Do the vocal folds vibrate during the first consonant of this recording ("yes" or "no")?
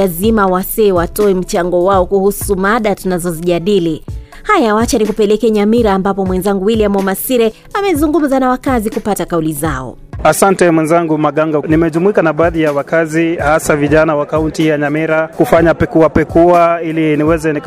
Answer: yes